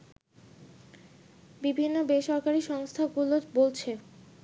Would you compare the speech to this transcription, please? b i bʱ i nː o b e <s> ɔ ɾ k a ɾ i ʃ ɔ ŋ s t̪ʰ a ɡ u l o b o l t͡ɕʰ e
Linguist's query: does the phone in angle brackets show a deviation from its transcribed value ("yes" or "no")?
yes